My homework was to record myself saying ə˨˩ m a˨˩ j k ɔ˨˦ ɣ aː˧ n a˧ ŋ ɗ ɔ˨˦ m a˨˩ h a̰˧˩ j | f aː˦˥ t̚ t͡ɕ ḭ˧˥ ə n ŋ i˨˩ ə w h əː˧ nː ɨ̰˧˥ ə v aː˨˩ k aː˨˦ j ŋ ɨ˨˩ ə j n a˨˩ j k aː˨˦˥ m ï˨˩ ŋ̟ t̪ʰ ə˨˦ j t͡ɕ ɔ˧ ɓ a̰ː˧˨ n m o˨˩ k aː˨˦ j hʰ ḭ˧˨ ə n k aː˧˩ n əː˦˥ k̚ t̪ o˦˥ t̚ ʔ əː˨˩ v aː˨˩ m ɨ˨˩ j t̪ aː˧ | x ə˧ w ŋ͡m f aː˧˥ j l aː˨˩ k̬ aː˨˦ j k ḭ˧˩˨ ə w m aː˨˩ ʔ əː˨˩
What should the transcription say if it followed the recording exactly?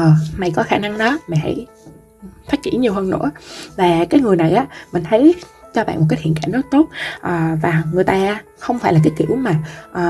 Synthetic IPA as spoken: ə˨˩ m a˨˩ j k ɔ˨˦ x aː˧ n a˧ ŋ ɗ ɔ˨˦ m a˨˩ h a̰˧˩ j | f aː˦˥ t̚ t͡ɕ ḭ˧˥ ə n ɲ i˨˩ ə w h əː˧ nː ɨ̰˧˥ ə v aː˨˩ k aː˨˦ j ŋ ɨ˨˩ ə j n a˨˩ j ʔ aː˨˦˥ m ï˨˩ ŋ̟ t̪ʰ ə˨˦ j t͡ɕ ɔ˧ ɓ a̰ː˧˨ n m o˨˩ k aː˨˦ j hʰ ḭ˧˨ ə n k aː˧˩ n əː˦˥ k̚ t̪ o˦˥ t̚ ʔ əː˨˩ v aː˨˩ ŋ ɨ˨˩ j t̪ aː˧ | x ə˧ w ŋ͡m f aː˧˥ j l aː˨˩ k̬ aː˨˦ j k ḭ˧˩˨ ə w m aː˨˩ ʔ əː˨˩